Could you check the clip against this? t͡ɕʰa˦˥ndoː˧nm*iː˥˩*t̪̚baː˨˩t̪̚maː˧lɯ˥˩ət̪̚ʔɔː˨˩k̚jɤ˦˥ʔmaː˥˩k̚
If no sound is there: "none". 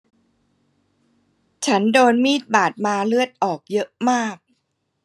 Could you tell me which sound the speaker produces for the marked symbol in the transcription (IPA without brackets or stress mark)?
iː˥˩